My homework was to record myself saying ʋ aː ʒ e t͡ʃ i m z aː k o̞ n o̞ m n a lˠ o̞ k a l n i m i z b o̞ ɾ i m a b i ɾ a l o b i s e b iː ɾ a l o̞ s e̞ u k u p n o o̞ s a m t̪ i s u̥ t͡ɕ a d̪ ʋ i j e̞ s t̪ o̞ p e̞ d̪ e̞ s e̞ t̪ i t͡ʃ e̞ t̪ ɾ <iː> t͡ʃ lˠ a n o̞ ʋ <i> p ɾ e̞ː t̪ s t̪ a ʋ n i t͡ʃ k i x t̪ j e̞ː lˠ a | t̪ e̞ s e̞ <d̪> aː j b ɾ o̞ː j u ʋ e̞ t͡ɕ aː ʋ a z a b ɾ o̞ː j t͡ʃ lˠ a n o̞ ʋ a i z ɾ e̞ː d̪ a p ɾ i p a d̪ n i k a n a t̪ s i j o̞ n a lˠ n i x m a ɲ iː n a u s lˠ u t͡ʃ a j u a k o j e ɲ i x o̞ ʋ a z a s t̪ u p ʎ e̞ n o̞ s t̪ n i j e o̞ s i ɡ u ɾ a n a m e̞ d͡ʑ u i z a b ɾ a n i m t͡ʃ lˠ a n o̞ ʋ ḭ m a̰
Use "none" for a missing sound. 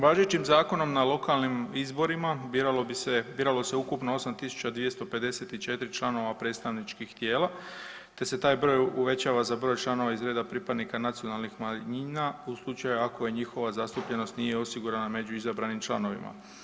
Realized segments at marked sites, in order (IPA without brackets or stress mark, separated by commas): i, a, t̪